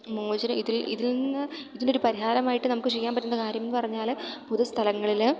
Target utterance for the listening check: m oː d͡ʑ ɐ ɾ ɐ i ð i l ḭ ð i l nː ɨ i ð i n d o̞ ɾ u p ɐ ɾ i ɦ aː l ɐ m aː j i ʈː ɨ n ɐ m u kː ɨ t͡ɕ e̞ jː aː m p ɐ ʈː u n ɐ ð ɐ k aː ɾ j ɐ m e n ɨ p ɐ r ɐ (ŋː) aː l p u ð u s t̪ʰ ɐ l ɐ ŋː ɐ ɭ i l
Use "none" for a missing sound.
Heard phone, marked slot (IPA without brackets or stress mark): ɲː